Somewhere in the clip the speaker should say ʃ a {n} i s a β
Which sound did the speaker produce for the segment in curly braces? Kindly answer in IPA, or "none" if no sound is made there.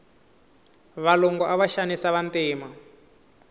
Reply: n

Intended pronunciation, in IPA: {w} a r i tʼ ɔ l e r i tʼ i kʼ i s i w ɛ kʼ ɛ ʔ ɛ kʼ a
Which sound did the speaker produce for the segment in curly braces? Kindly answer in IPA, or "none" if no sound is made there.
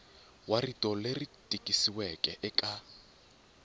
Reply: w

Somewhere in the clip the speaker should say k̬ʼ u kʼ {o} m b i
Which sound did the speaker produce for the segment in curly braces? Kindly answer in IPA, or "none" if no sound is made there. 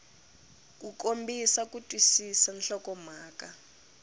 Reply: o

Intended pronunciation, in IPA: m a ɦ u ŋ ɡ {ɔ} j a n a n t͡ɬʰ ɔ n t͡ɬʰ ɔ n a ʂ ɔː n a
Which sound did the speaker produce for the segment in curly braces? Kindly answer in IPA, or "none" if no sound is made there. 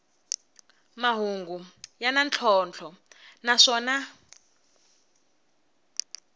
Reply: u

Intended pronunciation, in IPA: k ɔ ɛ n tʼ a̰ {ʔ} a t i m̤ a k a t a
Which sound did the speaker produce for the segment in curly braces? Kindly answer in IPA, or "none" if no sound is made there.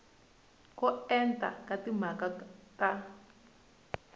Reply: k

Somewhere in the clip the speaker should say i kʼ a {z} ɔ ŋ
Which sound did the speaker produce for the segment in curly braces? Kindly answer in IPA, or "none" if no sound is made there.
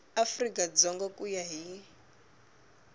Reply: d͡z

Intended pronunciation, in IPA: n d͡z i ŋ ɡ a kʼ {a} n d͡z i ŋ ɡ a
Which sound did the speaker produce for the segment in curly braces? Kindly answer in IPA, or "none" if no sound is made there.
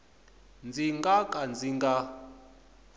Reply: a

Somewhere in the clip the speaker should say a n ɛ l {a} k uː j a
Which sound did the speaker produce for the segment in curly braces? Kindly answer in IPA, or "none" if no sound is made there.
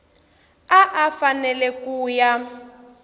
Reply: ɛ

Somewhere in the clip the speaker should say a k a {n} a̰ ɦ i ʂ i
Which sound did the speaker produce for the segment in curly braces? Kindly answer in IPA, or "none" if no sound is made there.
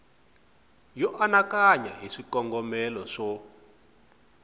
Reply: ɲ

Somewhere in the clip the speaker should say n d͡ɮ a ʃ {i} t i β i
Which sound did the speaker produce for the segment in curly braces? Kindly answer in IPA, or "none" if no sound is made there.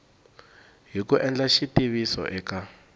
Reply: i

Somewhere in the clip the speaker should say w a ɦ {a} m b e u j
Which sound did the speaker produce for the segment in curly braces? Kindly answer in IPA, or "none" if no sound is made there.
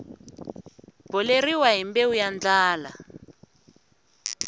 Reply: i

